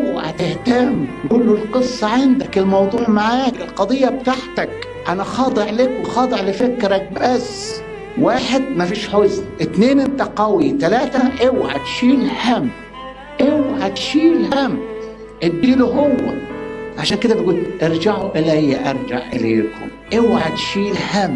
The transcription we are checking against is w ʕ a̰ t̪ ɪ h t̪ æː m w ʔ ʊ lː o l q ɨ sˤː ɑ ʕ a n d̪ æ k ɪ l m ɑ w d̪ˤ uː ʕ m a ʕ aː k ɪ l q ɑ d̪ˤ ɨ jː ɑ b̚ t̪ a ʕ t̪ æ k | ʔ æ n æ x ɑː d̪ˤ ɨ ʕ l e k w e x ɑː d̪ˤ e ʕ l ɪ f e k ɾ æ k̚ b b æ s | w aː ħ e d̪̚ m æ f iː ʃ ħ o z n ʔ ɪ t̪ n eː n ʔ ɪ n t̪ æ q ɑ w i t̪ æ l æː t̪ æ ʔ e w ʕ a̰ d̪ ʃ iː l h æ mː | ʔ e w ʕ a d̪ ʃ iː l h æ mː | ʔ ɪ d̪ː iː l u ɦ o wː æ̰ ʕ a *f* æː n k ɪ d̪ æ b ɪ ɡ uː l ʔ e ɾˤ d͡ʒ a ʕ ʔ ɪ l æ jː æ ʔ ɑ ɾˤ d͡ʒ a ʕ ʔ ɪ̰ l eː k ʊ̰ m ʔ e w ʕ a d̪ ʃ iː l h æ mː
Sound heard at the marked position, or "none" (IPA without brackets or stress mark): ʃ